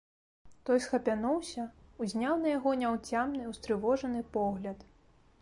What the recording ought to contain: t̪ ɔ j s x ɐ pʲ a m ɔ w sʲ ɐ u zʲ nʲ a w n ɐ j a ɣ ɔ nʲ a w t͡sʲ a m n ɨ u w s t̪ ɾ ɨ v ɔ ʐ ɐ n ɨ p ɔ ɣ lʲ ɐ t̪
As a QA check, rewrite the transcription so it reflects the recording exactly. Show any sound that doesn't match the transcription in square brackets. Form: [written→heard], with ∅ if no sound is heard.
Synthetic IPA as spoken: t̪ ɔ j s x ɐ pʲ a [m→n] ɔ w sʲ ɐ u zʲ nʲ a w n ɐ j a ɣ ɔ nʲ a w t͡sʲ a m n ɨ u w s t̪ ɾ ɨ v ɔ ʐ ɐ n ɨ p ɔ ɣ lʲ ɐ t̪